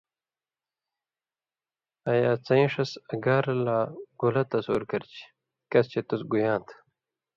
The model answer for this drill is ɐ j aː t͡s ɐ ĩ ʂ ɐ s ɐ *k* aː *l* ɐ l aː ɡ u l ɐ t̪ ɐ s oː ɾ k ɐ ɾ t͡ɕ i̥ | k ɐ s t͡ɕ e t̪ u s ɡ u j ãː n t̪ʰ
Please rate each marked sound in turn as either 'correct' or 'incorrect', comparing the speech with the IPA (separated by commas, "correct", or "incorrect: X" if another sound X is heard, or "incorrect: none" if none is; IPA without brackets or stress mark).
incorrect: ɡ, incorrect: ɾ